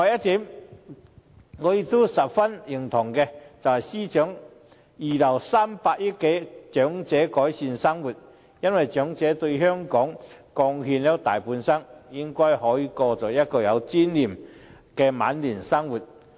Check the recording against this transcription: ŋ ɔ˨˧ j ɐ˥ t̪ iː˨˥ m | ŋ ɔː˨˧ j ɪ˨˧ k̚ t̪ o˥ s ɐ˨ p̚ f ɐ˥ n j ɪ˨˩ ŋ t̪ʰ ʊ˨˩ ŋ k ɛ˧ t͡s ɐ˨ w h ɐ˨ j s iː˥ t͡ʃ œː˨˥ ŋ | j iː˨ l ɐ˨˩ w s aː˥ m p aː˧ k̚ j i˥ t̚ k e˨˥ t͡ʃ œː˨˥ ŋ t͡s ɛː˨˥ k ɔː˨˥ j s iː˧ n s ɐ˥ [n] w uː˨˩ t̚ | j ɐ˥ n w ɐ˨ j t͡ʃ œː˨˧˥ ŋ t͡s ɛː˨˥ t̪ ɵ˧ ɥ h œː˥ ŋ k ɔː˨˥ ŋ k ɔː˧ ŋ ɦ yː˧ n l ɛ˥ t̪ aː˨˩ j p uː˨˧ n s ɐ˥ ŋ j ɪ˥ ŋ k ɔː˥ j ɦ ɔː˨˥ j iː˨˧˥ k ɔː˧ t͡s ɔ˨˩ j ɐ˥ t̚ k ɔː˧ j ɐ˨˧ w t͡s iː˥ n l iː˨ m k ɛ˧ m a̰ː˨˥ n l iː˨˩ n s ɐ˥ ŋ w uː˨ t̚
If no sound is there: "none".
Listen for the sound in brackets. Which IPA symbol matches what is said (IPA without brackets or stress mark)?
ŋ